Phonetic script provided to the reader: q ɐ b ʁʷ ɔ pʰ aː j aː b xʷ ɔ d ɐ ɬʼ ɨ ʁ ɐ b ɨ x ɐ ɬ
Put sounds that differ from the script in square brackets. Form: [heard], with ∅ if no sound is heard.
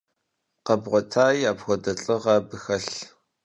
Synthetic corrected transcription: q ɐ b ʁʷ ɔ [tʰ] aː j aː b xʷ ɔ d ɐ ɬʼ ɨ ʁ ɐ b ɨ x ɐ ɬ